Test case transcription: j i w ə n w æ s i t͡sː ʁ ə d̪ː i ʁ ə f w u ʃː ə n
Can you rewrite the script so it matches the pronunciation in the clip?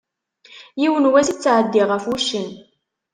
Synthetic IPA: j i w ə n w æ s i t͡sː ʕ ə d̪ː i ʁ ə f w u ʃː ə n